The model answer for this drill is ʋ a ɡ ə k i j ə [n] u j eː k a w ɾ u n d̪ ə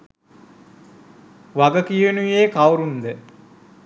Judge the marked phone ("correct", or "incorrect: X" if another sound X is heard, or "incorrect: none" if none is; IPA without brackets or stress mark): correct